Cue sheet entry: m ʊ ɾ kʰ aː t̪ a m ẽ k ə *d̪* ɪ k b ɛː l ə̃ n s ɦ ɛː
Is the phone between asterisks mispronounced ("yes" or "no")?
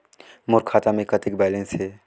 yes